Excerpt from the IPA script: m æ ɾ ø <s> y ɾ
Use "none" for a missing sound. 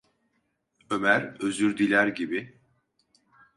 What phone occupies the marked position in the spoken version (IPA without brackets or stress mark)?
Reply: z